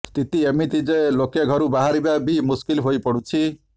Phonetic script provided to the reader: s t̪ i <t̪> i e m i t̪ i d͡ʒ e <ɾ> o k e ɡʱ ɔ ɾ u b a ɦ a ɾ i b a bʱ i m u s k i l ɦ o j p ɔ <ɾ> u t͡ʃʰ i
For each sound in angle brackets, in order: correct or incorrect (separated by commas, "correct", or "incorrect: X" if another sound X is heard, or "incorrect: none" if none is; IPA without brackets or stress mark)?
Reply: correct, incorrect: l, incorrect: ɽ